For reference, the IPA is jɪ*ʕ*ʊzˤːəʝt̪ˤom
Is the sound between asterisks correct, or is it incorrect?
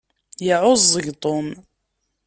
correct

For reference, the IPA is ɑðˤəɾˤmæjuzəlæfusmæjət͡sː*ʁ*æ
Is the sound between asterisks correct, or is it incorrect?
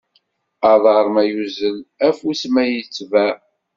incorrect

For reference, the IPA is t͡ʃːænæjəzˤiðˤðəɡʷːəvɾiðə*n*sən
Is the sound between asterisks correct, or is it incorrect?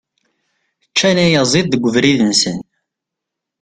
correct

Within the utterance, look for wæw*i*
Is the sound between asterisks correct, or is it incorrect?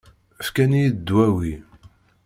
correct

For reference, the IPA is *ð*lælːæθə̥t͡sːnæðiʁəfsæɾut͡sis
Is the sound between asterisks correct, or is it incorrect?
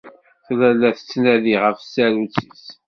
incorrect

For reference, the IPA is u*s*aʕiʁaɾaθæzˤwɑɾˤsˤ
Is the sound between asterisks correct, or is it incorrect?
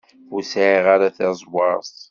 correct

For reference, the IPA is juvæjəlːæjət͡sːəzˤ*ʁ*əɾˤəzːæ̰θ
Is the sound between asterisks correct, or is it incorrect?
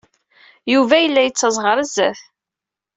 correct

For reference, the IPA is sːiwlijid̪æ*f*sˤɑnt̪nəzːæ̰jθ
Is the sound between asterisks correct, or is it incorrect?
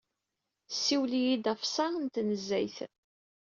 correct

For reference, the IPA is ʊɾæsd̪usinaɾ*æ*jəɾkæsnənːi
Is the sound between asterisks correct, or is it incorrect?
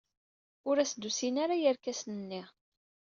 incorrect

